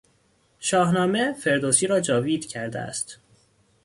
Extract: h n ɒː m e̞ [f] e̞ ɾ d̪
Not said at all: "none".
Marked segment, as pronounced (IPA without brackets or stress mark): f